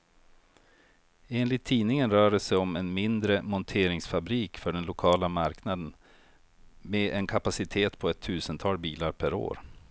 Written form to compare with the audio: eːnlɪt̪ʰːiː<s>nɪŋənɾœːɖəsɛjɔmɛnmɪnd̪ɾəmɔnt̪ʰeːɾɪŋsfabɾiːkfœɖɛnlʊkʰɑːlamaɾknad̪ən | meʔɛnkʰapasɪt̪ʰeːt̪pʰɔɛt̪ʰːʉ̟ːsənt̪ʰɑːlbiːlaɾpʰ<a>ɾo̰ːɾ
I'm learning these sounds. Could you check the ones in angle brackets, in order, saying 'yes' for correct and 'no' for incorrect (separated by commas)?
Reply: no, no